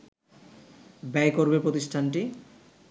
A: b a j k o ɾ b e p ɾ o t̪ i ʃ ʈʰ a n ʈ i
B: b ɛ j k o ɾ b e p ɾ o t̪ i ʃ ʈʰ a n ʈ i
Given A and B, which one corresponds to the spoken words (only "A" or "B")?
B